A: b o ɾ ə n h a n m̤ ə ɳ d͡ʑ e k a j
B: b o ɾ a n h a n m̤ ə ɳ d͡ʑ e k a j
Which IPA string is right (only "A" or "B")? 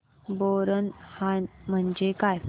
A